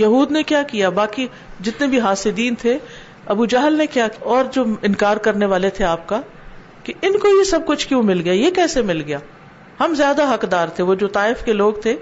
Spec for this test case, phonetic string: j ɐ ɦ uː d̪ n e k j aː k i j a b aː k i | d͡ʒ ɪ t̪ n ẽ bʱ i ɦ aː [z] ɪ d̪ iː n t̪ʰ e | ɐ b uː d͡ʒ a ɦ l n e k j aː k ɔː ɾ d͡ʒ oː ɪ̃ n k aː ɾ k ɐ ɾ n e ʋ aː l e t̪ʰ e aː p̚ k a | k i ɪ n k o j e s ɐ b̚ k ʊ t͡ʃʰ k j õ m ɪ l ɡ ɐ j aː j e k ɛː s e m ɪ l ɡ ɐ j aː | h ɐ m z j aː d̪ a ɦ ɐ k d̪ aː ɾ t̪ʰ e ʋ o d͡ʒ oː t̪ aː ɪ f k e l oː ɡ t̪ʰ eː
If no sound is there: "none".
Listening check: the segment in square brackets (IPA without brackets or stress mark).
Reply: s